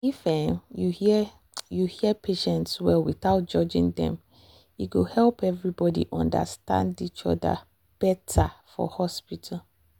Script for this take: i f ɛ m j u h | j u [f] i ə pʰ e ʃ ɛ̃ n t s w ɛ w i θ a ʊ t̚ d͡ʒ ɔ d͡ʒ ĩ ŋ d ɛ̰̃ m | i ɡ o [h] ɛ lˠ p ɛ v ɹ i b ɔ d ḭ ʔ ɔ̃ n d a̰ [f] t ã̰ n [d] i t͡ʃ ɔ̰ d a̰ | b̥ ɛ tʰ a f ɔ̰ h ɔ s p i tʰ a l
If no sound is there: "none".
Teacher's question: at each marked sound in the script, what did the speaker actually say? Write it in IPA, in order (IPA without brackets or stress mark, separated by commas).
h, h, s, d